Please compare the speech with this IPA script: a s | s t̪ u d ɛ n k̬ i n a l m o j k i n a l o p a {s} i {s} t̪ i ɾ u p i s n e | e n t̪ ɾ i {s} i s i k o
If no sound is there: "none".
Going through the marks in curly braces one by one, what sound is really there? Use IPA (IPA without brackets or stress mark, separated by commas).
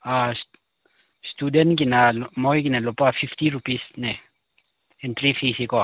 f, f, f